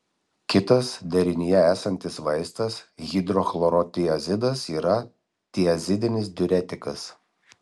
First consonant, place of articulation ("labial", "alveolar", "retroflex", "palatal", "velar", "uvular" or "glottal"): velar